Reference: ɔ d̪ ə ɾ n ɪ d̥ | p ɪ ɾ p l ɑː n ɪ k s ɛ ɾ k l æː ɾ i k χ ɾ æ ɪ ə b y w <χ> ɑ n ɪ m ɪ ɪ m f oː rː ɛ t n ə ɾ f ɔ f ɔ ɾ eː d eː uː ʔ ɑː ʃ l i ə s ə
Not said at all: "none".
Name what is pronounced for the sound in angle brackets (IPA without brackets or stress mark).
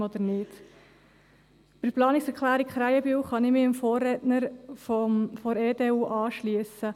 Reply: χ